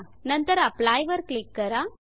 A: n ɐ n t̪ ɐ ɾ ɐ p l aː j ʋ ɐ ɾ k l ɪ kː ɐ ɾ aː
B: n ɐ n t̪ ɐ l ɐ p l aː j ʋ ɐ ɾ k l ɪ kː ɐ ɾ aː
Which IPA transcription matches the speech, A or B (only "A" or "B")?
A